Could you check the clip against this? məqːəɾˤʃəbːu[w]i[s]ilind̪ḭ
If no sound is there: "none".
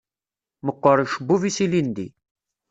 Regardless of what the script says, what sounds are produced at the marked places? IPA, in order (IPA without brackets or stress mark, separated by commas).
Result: v, s